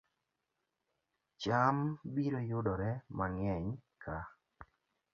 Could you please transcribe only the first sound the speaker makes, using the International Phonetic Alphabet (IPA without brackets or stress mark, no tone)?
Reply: t͡ʃ